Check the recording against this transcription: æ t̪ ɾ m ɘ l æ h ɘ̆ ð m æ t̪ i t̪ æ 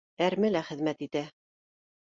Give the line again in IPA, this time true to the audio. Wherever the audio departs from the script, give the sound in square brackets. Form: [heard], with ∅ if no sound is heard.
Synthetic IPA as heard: æ [∅] ɾ m ɘ l æ [χ] ɘ̆ ð m æ t̪ i t̪ æ